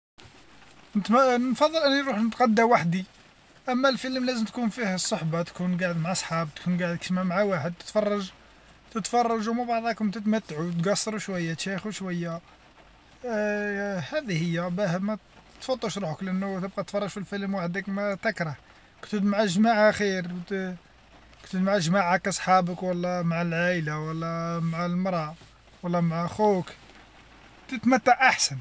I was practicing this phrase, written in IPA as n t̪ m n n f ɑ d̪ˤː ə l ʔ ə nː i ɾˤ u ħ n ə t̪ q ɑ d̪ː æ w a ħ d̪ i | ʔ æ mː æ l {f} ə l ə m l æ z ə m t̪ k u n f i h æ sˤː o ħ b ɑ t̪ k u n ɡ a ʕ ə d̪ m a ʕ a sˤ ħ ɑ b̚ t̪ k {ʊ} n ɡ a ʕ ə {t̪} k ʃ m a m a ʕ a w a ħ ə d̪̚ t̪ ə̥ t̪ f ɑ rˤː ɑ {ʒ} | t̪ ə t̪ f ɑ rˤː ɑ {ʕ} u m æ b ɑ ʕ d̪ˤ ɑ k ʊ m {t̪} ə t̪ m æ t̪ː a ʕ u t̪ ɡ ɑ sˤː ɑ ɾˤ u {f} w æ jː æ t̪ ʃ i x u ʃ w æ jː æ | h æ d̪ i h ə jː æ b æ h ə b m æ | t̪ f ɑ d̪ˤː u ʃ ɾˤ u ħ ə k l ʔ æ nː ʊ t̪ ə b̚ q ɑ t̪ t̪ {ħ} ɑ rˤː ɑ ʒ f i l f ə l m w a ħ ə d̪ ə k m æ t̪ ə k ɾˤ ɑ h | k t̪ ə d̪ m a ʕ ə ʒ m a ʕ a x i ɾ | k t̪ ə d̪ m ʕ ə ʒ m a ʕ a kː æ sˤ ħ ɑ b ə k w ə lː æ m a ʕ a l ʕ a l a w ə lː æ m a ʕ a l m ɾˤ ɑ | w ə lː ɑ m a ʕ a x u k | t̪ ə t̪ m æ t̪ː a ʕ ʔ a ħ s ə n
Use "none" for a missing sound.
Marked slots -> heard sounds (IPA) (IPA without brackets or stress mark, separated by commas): f, u, d̪, ʒ, ʒ, t̪, ʃ, f